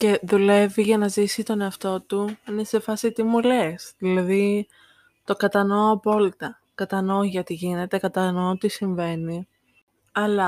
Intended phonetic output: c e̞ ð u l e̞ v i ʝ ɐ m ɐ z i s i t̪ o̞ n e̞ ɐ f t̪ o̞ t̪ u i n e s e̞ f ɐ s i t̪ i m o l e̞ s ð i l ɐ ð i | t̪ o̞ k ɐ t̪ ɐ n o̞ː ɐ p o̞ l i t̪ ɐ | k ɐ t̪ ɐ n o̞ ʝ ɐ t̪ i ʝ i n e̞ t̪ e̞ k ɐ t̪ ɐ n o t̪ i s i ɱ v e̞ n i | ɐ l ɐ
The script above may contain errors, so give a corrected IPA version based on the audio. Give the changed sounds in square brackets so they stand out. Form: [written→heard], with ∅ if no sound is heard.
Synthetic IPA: c e̞ ð u l e̞ v i ʝ ɐ [m→n] ɐ z i s i t̪ o̞ n e̞ ɐ f t̪ o̞ t̪ u i n e s e̞ f ɐ s i t̪ i m [o→u] l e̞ s ð i l ɐ ð i | t̪ o̞ k ɐ t̪ ɐ n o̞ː ɐ p o̞ l i t̪ ɐ | k ɐ t̪ ɐ n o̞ ʝ ɐ t̪ i ʝ i n e̞ t̪ e̞ k ɐ t̪ ɐ n o t̪ i s i ɱ v e̞ n i | ɐ l ɐ